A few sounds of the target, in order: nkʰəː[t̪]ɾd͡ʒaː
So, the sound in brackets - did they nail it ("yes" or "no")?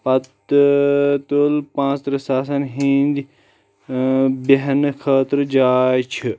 yes